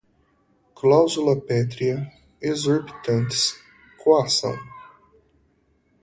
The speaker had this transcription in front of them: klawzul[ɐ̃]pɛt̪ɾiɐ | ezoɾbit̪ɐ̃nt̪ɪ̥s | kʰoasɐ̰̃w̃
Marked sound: incorrect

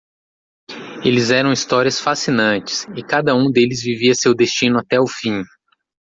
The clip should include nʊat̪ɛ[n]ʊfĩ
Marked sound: incorrect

